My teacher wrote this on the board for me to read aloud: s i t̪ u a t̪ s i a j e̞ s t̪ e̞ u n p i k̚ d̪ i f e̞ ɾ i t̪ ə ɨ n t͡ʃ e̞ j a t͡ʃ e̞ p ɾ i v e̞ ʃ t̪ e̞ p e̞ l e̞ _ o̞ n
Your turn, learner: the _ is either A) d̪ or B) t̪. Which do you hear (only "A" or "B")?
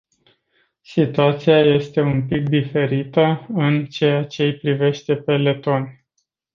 B